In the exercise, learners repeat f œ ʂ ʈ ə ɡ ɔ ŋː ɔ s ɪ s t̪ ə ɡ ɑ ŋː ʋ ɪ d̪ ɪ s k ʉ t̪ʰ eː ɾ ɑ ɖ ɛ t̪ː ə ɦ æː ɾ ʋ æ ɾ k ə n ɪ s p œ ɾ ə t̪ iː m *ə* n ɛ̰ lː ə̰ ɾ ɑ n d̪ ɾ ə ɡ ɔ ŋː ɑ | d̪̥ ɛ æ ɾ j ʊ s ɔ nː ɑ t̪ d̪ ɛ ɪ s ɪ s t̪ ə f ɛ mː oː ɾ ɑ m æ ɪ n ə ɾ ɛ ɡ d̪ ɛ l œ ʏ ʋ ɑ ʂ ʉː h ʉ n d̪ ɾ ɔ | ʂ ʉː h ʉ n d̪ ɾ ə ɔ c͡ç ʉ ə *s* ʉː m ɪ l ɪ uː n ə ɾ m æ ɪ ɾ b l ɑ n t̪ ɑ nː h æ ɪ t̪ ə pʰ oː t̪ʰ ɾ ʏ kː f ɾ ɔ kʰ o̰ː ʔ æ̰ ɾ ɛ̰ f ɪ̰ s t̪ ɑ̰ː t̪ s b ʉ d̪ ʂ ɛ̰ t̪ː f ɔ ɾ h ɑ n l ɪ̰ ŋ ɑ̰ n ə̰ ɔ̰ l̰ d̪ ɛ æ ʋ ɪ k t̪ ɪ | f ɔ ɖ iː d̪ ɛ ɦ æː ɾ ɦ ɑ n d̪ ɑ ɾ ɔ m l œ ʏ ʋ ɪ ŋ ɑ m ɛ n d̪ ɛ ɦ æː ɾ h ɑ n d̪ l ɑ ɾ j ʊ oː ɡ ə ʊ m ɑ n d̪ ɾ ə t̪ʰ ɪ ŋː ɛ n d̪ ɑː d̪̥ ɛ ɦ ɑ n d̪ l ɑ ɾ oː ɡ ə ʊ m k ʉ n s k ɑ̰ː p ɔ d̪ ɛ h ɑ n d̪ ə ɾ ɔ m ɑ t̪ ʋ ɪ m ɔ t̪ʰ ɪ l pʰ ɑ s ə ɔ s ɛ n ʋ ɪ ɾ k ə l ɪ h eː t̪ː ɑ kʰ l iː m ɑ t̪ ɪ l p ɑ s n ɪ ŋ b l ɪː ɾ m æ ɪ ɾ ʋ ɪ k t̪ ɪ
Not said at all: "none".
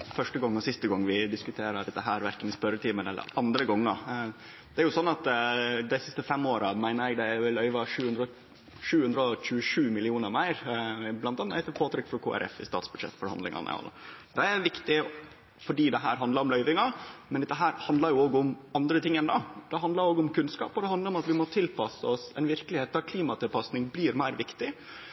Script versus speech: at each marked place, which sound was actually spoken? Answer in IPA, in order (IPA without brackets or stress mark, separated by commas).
ə, ʂ